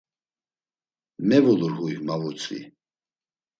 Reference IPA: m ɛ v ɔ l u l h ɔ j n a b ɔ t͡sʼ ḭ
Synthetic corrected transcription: m ɛ v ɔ l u ɾ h u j m a v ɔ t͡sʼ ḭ